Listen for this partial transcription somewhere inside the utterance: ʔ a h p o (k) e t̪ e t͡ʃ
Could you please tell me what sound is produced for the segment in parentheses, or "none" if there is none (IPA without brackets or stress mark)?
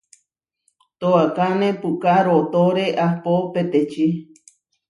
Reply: p